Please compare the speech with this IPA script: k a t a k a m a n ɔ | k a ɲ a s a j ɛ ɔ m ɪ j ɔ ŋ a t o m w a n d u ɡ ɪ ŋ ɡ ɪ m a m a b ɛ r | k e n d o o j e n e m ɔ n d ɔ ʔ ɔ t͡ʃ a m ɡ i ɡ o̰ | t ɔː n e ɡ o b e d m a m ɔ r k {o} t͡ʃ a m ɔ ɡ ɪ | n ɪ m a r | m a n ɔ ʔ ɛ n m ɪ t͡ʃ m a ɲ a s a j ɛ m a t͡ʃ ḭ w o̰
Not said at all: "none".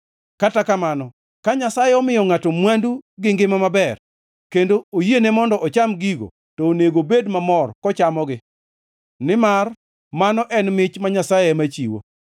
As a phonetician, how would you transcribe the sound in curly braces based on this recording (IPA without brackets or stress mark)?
ɔ